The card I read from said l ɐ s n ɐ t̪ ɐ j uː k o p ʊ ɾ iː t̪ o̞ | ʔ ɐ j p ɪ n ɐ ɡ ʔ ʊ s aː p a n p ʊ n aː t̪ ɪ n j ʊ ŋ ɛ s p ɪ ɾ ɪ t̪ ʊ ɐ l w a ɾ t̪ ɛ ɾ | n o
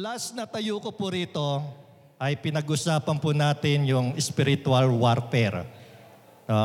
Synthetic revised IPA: l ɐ s n ɐ t̪ ɐ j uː k o p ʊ ɾ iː t̪ o̞ | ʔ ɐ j p ɪ n ɐ ɡ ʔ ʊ s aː p ɐ n p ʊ n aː t̪ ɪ n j ʊ ŋ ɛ s p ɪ ɾ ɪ t̪ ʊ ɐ l w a ɾ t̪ ɛ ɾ | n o